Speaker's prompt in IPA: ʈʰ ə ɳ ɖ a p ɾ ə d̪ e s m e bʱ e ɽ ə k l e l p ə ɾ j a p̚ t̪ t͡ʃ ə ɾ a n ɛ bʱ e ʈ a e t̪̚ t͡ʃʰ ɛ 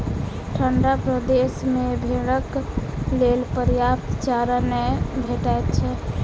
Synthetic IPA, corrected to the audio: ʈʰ ə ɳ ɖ a p ɾ ə d̪ e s m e bʱ e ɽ ə k l e l p ə ɾ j a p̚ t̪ t͡ʃ a ɾ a n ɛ bʱ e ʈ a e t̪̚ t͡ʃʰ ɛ